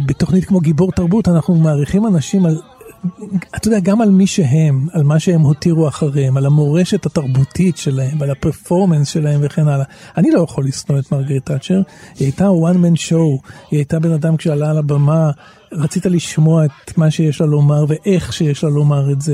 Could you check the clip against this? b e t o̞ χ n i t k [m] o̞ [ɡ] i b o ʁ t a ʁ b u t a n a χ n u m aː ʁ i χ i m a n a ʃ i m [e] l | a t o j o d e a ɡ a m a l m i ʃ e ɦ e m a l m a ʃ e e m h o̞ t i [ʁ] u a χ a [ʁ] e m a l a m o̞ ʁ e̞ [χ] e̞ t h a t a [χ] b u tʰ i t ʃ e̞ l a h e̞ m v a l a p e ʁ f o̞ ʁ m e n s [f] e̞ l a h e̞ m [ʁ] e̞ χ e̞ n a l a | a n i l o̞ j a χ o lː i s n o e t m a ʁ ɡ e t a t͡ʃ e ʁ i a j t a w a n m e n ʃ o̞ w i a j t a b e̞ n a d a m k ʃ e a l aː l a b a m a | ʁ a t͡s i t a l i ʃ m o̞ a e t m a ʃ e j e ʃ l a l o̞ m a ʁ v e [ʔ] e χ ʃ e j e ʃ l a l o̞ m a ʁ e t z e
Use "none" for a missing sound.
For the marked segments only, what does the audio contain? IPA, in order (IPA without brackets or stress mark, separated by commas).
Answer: m, ɡ, a, ʁ, ʁ, ʃ, ʁ, ʃ, v, ʔ